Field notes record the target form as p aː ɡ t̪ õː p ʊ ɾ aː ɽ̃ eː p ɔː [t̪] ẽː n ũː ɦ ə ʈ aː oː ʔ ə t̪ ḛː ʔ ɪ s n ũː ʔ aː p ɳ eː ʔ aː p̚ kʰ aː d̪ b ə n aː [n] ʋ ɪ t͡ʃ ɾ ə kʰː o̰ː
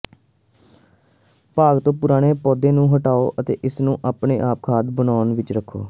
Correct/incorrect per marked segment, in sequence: incorrect: d̪, correct

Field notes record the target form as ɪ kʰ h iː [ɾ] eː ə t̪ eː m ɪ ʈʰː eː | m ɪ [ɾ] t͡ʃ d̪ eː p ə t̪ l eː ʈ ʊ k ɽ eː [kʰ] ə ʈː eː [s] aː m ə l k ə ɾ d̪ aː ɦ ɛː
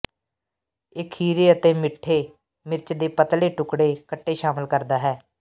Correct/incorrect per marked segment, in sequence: correct, correct, incorrect: k, incorrect: ʃ

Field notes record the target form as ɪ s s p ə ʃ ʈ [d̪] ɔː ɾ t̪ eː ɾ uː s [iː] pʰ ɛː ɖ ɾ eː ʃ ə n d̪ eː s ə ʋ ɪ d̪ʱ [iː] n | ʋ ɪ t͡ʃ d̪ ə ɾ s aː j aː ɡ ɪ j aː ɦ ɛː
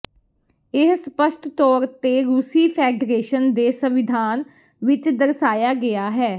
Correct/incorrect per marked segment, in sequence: incorrect: t̪, correct, incorrect: aː

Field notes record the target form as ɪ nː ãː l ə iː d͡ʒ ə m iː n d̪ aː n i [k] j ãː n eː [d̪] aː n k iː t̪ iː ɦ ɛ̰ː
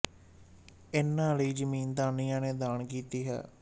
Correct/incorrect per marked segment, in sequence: incorrect: none, correct

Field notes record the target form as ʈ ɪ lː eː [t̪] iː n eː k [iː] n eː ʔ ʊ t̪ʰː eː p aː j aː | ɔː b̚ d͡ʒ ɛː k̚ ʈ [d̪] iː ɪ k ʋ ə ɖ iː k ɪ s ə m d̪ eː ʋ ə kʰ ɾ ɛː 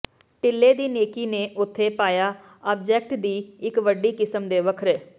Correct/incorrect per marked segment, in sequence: incorrect: d̪, correct, correct

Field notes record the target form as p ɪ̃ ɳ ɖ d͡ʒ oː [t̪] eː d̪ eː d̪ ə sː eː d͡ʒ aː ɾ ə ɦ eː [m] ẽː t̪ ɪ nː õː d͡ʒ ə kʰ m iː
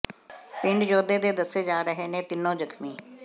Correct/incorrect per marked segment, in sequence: incorrect: d̪, incorrect: n

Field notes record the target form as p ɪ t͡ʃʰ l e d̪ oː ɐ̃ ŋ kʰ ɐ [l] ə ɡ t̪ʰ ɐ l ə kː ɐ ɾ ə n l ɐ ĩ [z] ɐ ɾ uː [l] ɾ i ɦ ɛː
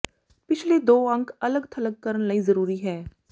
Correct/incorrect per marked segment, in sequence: correct, correct, incorrect: none

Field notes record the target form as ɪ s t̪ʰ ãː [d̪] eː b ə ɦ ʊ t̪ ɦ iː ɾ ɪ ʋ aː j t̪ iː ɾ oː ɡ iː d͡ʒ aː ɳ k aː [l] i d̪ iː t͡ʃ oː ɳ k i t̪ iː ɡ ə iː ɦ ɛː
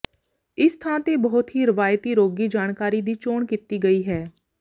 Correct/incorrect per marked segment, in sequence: incorrect: t̪, incorrect: ɾ

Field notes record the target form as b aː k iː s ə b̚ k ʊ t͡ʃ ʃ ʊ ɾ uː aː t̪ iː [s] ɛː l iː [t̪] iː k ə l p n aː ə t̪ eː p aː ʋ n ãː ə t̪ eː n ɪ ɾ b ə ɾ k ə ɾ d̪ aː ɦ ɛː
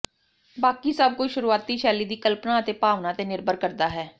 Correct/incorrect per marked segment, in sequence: incorrect: ʃ, incorrect: d̪

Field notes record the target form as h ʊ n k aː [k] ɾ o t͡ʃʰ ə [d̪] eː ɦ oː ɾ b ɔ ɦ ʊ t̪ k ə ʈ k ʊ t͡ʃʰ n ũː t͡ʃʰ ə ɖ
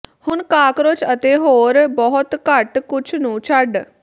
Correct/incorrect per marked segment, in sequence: correct, incorrect: t̪

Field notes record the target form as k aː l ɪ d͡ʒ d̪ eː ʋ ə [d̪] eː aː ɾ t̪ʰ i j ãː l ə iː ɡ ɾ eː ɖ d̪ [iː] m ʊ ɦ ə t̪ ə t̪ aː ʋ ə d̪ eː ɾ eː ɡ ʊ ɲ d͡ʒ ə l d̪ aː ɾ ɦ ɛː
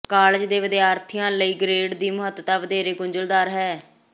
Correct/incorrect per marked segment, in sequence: correct, correct

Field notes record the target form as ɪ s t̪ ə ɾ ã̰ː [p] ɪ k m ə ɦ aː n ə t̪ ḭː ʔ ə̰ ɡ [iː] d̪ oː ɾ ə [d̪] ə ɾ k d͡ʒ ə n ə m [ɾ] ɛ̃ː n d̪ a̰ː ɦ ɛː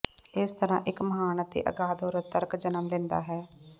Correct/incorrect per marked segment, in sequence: incorrect: ʔ, incorrect: aː, incorrect: t̪, incorrect: l

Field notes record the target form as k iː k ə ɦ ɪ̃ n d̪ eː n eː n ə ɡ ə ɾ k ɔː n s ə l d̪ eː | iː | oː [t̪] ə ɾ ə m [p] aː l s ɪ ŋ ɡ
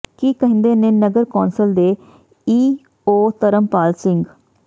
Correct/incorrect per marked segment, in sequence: correct, correct

